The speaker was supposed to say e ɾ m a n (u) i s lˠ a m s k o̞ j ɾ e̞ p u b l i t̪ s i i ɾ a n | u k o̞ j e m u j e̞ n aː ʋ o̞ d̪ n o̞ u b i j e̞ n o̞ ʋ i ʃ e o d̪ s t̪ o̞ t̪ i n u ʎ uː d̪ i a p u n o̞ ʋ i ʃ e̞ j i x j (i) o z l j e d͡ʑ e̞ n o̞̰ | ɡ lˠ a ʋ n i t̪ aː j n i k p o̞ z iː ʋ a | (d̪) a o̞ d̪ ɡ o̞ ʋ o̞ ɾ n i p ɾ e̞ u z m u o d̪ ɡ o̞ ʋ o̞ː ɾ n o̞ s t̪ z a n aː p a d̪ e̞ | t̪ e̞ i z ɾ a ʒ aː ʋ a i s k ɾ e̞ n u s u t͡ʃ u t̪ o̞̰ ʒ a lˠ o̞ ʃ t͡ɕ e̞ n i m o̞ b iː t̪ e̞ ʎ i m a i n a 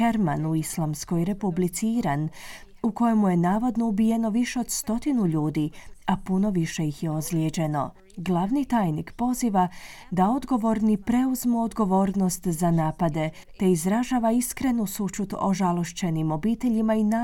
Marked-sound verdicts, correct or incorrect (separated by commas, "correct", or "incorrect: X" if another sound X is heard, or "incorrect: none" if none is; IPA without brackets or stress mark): correct, incorrect: e, correct